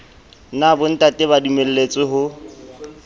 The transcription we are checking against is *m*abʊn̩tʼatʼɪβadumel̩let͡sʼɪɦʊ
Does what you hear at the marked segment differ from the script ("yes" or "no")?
yes